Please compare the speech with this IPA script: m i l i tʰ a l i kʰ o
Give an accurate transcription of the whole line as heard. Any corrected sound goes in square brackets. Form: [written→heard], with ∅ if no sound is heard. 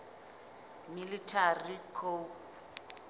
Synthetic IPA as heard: m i l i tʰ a [l→r] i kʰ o